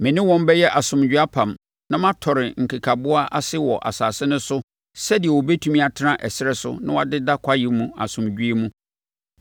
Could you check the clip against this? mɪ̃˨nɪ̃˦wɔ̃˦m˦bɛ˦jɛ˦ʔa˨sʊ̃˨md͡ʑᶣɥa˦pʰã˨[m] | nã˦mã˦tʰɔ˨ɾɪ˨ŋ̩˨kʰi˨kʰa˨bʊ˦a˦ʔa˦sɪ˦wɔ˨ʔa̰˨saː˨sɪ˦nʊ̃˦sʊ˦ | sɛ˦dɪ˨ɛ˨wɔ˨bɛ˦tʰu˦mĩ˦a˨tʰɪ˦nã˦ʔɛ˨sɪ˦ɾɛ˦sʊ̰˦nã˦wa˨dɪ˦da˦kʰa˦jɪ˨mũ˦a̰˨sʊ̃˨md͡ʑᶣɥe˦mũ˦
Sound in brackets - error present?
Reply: no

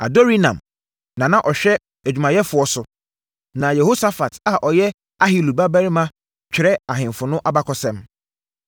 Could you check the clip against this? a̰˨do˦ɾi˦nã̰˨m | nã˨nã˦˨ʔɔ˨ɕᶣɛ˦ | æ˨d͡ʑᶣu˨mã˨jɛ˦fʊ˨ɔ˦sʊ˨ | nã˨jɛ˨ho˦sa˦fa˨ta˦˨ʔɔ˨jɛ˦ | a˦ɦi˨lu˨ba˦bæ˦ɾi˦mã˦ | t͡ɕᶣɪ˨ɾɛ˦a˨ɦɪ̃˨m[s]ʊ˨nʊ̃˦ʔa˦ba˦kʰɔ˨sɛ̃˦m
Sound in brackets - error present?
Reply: yes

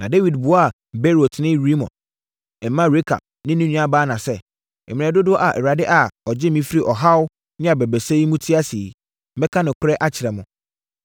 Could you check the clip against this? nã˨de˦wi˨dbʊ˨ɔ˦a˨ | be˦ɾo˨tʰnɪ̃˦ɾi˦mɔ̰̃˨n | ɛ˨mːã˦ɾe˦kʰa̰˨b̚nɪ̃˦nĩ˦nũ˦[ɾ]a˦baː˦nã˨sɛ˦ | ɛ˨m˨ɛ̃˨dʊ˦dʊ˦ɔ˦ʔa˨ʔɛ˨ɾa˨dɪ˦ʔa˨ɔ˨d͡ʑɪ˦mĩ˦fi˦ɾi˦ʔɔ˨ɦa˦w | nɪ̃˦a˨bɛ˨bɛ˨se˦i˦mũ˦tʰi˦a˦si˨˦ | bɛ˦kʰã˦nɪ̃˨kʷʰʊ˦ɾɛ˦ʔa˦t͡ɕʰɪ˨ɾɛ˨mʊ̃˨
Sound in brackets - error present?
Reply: yes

